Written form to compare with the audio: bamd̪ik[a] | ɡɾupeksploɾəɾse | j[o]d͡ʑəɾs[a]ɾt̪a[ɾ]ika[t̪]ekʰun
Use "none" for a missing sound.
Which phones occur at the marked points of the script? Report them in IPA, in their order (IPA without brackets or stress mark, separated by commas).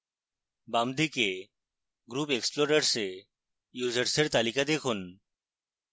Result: e, u, e, l, d̪